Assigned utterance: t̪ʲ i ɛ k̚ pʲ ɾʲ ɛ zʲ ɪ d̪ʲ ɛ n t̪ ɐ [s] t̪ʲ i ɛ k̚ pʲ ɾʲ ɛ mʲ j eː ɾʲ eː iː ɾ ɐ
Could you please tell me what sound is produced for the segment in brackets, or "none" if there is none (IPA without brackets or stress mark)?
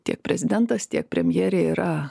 s